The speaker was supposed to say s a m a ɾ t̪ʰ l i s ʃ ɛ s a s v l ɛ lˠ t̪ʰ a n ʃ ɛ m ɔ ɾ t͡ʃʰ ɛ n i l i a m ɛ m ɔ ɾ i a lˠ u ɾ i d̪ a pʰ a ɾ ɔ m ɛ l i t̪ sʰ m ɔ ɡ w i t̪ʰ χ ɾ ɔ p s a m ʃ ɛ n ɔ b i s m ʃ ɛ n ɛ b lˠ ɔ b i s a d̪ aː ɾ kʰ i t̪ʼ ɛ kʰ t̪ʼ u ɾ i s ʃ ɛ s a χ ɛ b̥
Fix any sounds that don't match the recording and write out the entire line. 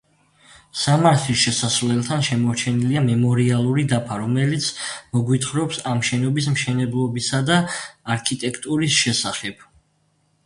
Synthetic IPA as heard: s a m a ɾ t̪ʰ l i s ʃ ɛ s a s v l ɛ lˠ t̪ʰ a n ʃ ɛ m ɔ ɾ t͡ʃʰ ɛ n i l i a m ɛ m ɔ ɾ i a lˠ u ɾ i d̪ a pʰ a ɾ ɔ m ɛ l i t̪ sʰ m ɔ ɡ w i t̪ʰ χ ɾ ɔ p s a m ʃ ɛ n ɔ b i s m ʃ ɛ n ɛ b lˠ ɔ b i s a d̪ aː ɾ kʰ i t̪ʼ ɛ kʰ t̪ʼ u ɾ i s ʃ ɛ s a χ ɛ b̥